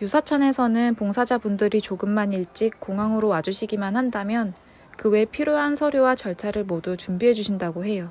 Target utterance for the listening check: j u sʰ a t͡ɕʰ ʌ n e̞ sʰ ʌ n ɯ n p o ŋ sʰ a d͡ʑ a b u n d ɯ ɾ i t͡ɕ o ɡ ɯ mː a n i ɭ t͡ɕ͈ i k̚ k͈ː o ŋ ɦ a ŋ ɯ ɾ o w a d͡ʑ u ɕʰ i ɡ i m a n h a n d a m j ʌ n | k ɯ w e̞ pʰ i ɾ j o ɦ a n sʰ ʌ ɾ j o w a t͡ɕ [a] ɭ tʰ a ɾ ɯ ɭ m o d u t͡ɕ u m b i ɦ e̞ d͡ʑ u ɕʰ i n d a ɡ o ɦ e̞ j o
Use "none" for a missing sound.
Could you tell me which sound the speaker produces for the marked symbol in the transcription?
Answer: ʌ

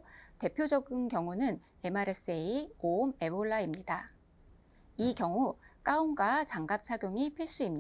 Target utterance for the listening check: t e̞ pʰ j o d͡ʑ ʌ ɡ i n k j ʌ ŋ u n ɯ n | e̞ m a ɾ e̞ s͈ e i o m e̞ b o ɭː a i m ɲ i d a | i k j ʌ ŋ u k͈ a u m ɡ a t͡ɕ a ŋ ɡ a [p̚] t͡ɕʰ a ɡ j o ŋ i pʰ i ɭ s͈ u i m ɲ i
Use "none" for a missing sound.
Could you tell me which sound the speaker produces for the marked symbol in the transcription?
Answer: p̚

